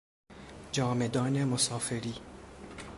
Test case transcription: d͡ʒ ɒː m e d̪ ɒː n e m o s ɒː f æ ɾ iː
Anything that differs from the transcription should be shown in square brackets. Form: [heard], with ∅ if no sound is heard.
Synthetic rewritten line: d͡ʒ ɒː m e d̪ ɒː n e m o s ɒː f [e] ɾ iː